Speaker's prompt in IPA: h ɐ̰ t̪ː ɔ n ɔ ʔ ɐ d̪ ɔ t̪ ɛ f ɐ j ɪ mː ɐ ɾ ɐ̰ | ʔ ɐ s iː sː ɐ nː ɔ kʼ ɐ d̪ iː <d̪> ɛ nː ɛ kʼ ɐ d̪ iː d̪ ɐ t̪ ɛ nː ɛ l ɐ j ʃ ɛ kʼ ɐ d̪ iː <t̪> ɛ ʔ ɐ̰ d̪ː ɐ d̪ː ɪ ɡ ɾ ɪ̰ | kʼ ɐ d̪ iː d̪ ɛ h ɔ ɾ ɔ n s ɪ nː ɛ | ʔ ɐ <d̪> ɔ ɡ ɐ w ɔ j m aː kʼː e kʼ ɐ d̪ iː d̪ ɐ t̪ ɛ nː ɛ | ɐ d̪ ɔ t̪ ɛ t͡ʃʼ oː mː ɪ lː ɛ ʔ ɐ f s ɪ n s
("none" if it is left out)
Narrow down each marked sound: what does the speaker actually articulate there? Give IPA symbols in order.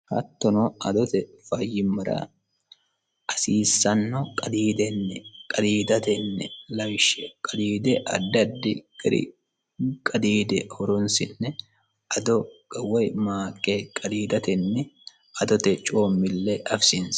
d̪, d̪, d̪

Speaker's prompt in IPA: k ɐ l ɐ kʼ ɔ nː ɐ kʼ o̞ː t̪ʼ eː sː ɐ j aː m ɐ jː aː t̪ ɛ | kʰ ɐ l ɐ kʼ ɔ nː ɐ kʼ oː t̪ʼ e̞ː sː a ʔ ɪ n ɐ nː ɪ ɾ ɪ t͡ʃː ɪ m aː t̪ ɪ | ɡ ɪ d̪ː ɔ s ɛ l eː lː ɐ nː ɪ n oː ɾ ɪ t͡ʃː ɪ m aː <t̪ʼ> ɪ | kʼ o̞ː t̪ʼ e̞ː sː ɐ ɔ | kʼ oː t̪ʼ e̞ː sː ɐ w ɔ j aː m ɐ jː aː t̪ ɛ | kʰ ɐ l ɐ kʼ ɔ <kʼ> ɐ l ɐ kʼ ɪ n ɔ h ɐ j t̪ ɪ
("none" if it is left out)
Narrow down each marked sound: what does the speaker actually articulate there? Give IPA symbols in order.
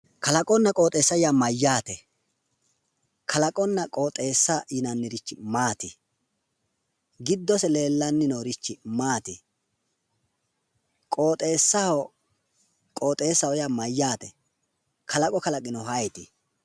t̪, k

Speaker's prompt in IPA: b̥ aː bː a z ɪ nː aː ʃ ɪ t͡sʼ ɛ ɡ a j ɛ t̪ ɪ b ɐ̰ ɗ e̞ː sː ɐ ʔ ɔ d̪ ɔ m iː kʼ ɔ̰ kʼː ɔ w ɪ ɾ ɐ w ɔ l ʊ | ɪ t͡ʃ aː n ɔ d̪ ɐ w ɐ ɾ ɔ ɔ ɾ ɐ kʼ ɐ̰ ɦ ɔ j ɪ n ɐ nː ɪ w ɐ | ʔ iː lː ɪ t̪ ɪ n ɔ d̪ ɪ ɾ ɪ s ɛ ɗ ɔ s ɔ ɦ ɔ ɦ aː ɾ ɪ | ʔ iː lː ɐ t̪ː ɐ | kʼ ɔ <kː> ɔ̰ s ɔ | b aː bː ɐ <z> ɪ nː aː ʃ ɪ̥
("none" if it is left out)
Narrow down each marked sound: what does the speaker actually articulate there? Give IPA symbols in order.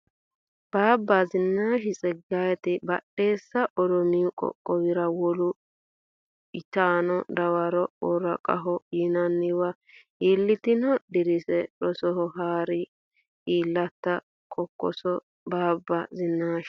kː, z

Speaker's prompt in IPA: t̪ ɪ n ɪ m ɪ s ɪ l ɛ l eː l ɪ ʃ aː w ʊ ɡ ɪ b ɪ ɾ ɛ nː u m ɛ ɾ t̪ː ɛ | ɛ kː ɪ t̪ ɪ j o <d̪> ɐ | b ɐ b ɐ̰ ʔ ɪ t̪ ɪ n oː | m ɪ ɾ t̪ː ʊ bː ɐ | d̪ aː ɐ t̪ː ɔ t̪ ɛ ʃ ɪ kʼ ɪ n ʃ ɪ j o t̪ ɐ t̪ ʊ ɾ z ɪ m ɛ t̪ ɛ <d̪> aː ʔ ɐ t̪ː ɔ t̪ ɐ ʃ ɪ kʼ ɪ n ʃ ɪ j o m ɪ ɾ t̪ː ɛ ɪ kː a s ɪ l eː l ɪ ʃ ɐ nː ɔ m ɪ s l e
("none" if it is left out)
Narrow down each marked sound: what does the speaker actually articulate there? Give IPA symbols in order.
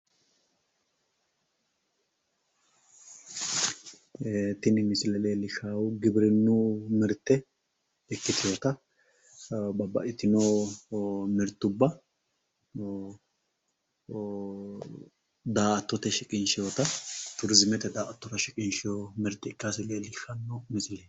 t̪, d̪

